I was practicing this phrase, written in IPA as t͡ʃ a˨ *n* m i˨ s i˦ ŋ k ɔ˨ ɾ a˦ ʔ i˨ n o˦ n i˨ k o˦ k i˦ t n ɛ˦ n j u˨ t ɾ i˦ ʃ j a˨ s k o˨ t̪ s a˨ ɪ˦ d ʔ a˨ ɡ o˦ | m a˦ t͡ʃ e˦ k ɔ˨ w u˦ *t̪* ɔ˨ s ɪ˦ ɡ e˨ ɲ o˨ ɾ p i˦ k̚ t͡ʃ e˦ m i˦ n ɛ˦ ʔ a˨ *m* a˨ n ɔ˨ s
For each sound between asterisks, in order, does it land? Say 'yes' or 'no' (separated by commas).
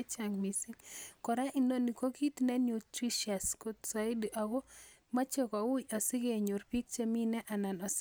no, no, no